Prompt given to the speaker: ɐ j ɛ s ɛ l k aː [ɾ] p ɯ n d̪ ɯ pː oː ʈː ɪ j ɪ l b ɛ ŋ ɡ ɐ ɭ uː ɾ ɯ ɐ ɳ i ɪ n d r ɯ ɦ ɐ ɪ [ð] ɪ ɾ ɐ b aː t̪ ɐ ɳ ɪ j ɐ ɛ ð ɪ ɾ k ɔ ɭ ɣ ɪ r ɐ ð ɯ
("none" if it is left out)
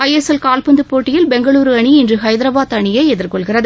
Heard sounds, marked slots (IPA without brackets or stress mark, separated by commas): l, ð